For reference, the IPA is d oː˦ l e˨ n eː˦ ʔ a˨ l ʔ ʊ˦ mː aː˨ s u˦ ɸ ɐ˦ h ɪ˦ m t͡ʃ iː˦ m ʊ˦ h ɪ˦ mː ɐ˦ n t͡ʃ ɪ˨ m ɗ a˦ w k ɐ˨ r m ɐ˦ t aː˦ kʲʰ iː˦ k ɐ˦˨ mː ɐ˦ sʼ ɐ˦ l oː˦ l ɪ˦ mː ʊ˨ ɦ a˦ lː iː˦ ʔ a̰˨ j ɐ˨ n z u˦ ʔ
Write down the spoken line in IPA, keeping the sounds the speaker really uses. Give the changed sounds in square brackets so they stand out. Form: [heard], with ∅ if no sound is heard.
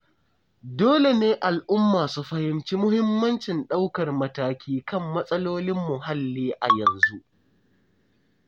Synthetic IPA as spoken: d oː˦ l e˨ n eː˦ ʔ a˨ l ʔ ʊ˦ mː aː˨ s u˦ ɸ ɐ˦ h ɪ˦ m t͡ʃ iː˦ m ʊ˦ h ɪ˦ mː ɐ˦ n t͡ʃ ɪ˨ [n] ɗ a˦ w k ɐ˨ r m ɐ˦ t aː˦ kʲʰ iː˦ k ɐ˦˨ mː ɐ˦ sʼ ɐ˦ l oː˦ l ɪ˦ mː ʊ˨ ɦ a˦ lː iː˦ ʔ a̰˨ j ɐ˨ n z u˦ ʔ

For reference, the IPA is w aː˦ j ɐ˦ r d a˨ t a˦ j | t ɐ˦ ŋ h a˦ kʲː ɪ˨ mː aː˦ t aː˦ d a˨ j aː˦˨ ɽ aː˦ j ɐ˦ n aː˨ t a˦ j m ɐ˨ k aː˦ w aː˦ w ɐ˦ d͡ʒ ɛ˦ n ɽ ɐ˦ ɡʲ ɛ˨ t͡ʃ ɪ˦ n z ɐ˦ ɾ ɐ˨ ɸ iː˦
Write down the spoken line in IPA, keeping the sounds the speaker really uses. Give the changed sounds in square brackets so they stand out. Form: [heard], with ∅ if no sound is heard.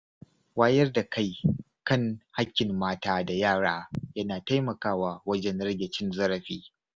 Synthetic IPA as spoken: w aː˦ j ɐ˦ r d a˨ [k] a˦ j | [k] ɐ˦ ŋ h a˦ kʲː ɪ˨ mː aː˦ t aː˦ d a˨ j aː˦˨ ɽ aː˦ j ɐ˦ n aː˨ t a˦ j m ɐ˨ k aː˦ w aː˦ w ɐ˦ d͡ʒ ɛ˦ n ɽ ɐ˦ ɡʲ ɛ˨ t͡ʃ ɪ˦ n z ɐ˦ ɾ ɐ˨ ɸ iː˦

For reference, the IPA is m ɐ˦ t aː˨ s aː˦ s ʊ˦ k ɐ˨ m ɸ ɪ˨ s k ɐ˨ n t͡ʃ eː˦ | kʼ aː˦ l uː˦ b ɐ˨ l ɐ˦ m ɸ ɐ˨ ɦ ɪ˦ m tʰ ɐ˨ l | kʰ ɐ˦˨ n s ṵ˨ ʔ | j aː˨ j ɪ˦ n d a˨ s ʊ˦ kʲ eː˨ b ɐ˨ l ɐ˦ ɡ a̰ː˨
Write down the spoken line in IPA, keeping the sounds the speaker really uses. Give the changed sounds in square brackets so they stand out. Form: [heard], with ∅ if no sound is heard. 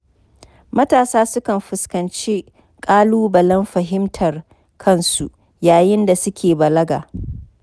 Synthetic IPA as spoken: m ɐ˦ t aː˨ s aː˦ s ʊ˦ k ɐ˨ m ɸ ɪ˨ s k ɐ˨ n t͡ʃ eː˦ | kʼ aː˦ l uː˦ b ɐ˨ l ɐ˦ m ɸ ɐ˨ ɦ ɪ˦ m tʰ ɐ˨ [r] | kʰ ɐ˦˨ n s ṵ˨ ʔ | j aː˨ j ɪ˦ n d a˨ s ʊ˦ kʲ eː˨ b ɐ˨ l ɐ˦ ɡ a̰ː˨

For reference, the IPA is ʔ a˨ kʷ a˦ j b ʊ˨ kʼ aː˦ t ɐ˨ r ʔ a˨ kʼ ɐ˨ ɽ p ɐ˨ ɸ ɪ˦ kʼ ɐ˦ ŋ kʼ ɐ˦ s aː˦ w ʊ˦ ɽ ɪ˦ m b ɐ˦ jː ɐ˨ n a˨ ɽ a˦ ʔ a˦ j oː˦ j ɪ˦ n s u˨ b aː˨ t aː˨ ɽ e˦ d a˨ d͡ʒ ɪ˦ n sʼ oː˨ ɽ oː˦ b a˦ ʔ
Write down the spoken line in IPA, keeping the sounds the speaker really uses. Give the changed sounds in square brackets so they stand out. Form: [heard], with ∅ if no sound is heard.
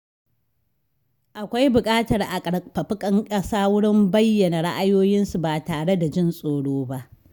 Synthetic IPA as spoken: ʔ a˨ kʷ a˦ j b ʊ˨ kʼ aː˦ t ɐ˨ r ʔ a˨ kʼ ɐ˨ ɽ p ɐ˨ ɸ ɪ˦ kʼ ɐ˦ ŋ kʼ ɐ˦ s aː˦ w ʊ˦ ɽ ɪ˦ m b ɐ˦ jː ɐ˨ n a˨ ɽ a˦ ʔ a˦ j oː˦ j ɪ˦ n s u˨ b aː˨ t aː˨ ɽ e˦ d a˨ d͡ʒ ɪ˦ n sʼ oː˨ ɽ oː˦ b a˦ ʔ

